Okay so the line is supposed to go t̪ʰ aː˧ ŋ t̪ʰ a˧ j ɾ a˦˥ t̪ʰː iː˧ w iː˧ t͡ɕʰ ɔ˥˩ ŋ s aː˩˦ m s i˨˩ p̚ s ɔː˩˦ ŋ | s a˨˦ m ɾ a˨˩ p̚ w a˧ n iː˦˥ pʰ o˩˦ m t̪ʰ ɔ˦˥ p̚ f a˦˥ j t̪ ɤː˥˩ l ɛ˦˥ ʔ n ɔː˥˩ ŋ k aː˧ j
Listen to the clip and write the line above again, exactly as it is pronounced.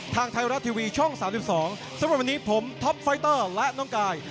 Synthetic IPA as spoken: t̪ʰ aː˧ ŋ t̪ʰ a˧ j ɾ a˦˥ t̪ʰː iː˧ w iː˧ t͡ɕʰ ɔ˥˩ ŋ s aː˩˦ m s i˨˩ p̚ s ɔː˩˦ ŋ | s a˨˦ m ɾ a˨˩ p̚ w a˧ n iː˦˥ pʰ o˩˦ m t̪ʰ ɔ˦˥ p̚ f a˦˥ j t̪ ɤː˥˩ l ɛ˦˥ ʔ n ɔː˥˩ ŋ k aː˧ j